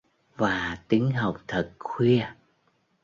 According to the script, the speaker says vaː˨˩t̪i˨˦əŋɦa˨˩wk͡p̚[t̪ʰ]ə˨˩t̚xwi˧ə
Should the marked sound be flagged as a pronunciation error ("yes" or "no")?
no